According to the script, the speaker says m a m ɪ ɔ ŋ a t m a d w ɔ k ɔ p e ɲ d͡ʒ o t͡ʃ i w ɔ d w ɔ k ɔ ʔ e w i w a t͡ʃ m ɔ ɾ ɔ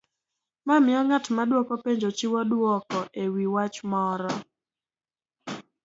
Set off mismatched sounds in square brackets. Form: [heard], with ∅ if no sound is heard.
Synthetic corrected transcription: m a m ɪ ɔ ŋ a t m a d w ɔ k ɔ p e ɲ d͡ʒ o t͡ʃ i w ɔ d w ɔ k ɔ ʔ e w i w a t͡ʃ m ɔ ɾ ɔ